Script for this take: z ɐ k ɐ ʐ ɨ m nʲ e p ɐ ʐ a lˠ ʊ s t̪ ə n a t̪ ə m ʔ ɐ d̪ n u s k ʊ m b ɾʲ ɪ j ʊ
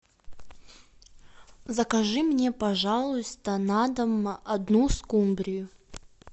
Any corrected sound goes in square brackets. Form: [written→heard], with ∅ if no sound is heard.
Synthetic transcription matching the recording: z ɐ k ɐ ʐ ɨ m nʲ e p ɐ ʐ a lˠ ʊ s t̪ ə n a [t̪→d̪] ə m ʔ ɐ d̪ n u s k [ʊ→u] m b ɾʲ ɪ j ʊ